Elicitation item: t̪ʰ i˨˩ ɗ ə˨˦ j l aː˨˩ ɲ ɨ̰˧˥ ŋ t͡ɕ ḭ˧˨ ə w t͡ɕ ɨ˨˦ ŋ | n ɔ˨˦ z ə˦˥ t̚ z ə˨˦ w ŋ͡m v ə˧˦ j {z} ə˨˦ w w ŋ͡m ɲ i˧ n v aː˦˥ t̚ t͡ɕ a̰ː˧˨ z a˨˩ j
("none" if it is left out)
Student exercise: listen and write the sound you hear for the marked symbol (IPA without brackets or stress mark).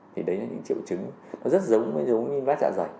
z